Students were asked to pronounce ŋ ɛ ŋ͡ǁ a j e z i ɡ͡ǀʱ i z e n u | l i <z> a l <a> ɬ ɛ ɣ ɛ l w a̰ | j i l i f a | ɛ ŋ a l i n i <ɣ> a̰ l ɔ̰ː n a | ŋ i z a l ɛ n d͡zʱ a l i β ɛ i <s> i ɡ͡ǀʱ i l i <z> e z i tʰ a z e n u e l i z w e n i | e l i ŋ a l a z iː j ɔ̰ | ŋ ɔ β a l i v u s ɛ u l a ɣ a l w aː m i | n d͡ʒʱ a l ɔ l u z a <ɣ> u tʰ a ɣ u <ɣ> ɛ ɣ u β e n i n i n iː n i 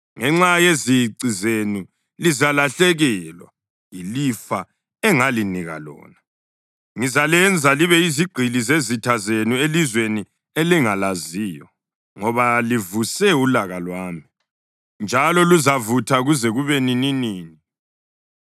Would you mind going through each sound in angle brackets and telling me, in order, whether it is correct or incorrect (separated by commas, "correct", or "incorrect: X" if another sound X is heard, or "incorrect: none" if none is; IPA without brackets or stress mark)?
correct, correct, correct, incorrect: z, correct, incorrect: v, incorrect: z